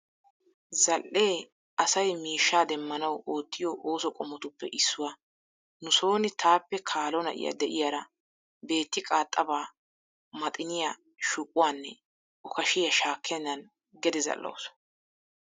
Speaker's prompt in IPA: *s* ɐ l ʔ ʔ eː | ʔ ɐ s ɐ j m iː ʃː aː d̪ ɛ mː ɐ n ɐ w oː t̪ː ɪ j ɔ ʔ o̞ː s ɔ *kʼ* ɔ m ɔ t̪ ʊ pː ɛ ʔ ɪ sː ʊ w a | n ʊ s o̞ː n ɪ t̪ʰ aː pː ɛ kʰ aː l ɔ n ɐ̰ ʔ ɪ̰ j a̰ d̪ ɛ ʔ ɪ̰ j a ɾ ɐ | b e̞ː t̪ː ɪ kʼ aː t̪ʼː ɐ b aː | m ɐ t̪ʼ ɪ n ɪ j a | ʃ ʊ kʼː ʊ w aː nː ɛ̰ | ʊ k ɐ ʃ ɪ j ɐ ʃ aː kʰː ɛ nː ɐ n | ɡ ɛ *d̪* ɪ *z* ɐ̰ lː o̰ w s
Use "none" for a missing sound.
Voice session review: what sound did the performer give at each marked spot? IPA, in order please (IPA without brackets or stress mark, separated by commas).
z, kʼ, d̪, z